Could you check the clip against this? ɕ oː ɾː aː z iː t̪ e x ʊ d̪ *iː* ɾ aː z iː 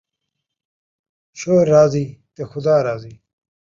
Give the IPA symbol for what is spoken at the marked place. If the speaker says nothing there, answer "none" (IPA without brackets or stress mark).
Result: aː